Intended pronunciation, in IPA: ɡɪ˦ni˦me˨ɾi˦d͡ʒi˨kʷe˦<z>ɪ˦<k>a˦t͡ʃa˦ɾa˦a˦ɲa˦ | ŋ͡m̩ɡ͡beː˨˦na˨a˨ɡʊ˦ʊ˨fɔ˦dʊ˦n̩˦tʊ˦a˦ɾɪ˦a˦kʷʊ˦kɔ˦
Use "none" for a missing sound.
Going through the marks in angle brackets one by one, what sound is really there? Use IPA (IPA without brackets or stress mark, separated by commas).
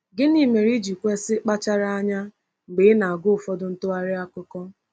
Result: s, k͡p